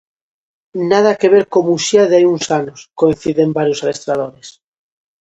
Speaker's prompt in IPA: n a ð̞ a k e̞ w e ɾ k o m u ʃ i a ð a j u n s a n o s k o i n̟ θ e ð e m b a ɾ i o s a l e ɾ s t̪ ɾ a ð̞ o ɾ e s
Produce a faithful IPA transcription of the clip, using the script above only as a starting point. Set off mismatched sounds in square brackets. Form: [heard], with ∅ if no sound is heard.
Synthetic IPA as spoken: n a ð̞ a k e̞ [β] e ɾ k o m u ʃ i a ð a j u n s a n o s k o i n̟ θ [i] ð e m b a ɾ [j] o s a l e [∅] s t̪ ɾ a ð̞ o ɾ e s